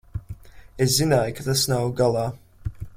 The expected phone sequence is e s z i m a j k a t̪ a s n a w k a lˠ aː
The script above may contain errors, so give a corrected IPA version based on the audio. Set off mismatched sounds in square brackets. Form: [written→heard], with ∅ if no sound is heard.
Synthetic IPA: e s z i [m→n] a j k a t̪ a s n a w [k→ɡ] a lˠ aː